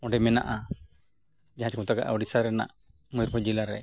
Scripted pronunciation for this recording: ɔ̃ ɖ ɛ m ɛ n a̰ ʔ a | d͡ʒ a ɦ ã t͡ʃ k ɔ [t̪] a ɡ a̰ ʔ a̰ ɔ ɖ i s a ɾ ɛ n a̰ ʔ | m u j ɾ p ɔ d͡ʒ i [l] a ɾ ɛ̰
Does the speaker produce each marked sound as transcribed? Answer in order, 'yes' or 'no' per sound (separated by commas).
yes, yes